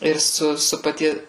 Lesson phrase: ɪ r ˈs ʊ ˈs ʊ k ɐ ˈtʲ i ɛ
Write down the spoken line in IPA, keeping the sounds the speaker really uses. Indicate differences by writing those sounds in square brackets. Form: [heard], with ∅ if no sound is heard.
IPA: ɪ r ˈs ʊ ˈs ʊ [p] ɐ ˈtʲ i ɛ

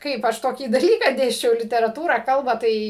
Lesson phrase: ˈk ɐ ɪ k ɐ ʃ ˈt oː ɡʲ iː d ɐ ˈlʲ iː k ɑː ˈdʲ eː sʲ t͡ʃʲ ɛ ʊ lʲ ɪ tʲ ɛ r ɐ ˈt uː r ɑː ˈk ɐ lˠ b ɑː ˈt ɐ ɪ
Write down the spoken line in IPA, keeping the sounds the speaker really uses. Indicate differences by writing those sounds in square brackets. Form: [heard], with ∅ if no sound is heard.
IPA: ˈk ɐ ɪ [p] ɐ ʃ ˈt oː [kʲ] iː d ɐ ˈlʲ iː k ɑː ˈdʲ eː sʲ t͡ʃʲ ɛ ʊ lʲ ɪ tʲ ɛ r ɐ ˈt uː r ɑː ˈk ɐ lˠ b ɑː ˈt ɐ ɪ

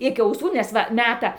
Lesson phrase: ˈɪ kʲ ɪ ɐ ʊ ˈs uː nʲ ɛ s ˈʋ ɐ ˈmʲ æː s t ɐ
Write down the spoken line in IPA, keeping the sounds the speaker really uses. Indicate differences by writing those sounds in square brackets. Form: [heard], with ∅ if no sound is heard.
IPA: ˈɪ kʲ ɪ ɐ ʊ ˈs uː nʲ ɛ s ˈʋ ɐ ˈmʲ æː [∅] t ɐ

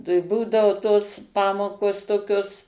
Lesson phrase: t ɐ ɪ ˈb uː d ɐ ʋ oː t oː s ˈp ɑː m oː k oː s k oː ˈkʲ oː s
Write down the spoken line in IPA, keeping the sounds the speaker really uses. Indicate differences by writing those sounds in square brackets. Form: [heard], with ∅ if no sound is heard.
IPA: t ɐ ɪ ˈb uː d ɐ ʋ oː t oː s ˈp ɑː m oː k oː s [t] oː ˈkʲ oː s

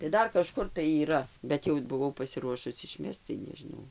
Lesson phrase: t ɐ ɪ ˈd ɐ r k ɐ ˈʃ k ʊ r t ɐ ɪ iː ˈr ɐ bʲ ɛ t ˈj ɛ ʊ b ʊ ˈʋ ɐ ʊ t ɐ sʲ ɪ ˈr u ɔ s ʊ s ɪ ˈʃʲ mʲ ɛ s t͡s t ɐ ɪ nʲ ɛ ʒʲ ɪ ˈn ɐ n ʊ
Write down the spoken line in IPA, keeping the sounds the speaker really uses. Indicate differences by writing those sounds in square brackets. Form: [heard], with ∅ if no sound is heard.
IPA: t ɐ ɪ ˈd ɐ r k ɐ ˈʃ k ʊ r t ɐ ɪ iː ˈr ɐ bʲ ɛ t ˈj ɛ ʊ b ʊ ˈʋ ɐ ʊ [p] ɐ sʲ ɪ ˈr u ɔ [ʃ] ʊ s ɪ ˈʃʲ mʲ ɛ s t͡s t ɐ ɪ nʲ ɛ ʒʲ ɪ ˈn ɐ [∅] ʊ

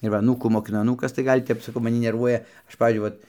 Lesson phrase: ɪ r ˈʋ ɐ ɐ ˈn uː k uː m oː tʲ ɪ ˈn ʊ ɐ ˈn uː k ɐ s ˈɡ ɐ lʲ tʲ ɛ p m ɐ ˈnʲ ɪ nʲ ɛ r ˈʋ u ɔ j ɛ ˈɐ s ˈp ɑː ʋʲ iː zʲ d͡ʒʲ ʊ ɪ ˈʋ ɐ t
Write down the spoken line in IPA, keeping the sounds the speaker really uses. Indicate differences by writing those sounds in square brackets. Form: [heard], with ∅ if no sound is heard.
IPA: ɪ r ˈʋ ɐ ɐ ˈn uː k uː m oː [kʲ] ɪ ˈn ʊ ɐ ˈn uː k ɐ s ˈɡ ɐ lʲ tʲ ɛ p m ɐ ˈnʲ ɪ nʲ ɛ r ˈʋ u ɔ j ɛ ˈɐ [ʃ] ˈp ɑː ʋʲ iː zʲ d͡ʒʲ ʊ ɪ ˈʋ ɐ t

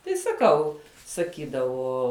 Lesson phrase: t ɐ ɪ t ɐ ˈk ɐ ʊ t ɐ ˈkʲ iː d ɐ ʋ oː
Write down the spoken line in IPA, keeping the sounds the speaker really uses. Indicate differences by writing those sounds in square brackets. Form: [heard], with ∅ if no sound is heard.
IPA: t ɐ ɪ [s] ɐ ˈk ɐ ʊ [s] ɐ ˈkʲ iː d ɐ ʋ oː

